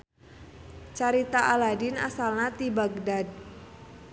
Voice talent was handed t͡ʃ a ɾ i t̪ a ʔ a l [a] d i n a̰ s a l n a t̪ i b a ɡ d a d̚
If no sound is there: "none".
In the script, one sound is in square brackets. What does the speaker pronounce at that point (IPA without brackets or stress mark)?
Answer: a